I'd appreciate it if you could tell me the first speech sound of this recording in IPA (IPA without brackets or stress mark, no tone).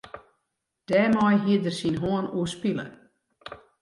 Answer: d̥